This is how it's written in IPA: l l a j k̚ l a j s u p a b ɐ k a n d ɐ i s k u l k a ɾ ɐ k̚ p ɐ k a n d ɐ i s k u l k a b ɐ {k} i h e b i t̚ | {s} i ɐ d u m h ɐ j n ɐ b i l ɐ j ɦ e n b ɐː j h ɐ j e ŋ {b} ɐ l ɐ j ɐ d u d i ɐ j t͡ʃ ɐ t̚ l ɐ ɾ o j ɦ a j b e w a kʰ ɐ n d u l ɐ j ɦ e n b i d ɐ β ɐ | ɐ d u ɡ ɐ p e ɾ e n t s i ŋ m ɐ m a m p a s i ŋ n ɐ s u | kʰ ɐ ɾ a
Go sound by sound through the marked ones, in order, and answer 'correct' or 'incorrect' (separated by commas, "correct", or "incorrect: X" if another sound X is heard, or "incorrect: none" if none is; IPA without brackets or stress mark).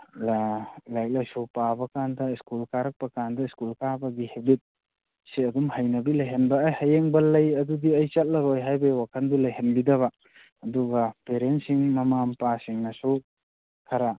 incorrect: ɡ, correct, correct